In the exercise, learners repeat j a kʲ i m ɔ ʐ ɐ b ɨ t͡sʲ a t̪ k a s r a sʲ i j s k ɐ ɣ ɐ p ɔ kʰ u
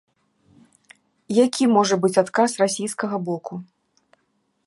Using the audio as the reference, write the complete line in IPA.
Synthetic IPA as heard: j a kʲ i m ɔ ʐ ɐ b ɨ t͡sʲ a t̪ k a s r a sʲ i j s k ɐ ɣ ɐ b ɔ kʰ u

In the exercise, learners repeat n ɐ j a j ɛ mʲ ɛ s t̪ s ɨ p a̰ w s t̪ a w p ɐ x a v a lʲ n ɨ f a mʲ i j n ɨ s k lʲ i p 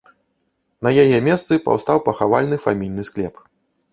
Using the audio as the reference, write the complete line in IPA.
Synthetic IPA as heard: n ɐ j a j ɛ mʲ ɛ s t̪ s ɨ p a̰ w s t̪ a w p ɐ x a v a lʲ n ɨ f a mʲ i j n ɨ s k lʲ ɛ p

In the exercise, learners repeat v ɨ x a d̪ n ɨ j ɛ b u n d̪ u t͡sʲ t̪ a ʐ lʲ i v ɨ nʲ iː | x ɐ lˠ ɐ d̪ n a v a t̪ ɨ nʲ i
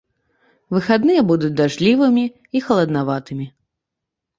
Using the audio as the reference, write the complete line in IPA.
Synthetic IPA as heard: v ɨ x a d̪ n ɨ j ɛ b u d̪ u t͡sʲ d̪ a ʐ lʲ i v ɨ mʲ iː | x ɐ lˠ ɐ d̪ n a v a t̪ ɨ mʲ i

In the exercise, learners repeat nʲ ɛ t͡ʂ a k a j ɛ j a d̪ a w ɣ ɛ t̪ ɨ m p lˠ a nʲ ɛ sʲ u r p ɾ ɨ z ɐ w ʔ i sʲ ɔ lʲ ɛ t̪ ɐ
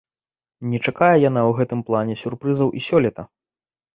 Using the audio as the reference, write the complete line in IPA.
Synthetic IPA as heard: nʲ ɛ t͡ʂ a k a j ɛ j a n̪ a w ɣ ɛ t̪ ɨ m p lˠ a nʲ ɛ sʲ u r p ɾ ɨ z ɐ w ʔ i sʲ ɔ lʲ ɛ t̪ ɐ

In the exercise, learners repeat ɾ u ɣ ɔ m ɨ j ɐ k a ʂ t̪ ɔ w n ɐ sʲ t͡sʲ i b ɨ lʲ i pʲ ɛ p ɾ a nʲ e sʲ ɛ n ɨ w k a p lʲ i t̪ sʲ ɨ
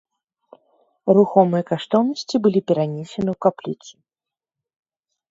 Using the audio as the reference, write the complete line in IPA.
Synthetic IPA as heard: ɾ u x ɔ m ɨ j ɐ k a ʂ t̪ ɔ w n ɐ sʲ t͡sʲ i b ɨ lʲ i pʲ ɛ ɾ a nʲ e sʲ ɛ n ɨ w k a p lʲ i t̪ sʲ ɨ

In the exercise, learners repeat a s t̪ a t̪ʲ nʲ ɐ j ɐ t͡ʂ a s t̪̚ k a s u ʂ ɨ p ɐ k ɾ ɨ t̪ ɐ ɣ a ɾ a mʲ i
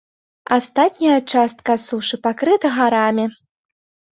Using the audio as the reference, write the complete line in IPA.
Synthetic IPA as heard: a s t̪ a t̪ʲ nʲ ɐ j ɐ t͡ʂ a s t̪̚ k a s u ʂ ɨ p a k ɾ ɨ t̪ ɐ ɣ a ɾ a mʲ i

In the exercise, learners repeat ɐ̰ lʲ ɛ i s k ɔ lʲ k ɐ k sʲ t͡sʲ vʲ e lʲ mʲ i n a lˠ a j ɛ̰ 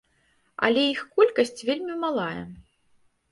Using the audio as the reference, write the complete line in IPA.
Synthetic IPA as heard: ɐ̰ lʲ ɛ i x k ɔ lʲ k ɐ sʲ t͡sʲ vʲ e lʲ mʲ i m a lˠ a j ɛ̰

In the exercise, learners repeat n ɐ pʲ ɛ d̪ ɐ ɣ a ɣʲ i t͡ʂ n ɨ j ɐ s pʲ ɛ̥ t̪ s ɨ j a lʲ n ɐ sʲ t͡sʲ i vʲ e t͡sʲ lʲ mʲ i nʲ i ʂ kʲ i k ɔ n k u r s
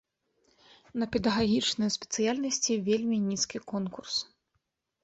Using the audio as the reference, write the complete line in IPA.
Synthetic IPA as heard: n ɐ pʲ ɛ d̪ ɐ ɣ a ɣʲ i t͡ʂ n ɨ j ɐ s pʲ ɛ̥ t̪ s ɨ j a lʲ n ɐ sʲ t͡sʲ i vʲ e lʲ mʲ i nʲ i s kʲ i k ɔ n k u r s

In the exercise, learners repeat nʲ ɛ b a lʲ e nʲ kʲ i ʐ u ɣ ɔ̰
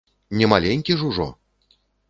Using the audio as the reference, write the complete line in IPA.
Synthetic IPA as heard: nʲ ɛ m a lʲ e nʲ kʲ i ʐ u ʐ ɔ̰

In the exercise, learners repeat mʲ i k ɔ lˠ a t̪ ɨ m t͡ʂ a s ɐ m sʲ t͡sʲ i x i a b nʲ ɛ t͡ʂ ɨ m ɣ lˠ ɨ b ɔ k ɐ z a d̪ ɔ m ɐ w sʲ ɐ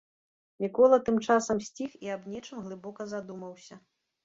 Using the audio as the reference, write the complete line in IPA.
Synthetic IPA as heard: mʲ i k ɔ lˠ ɐ t̪ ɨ m t͡ʂ a s ɐ m sʲ t͡sʲ i x i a b nʲ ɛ t͡ʂ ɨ m ɣ lˠ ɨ b ɔ k ɐ z a d̪ u m ɐ w sʲ ɐ

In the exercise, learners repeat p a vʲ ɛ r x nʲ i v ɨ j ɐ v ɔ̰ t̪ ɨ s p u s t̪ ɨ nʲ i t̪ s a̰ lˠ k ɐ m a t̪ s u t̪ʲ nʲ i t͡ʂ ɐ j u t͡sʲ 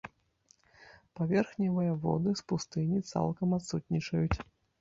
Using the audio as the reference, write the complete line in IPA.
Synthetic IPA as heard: p a vʲ ɛ r x nʲ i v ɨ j ɐ v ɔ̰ d̪ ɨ s p u s t̪ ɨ nʲ i t̪ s a̰ lˠ k ɐ m a t̪ s u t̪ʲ nʲ i t͡ʂ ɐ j u t͡sʲ

